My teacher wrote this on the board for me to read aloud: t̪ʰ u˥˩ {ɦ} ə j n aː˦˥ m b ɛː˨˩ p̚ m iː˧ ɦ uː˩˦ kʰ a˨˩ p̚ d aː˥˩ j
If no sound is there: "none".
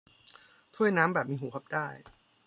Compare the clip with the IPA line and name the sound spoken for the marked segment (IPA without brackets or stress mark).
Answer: none